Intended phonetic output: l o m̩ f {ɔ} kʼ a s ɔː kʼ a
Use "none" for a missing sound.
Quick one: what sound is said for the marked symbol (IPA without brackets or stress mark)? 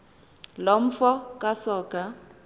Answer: ɔ